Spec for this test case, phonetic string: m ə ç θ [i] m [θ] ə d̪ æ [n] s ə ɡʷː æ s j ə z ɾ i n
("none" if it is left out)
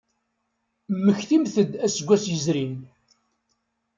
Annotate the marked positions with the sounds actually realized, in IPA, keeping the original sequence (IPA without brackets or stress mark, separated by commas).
i, θ, none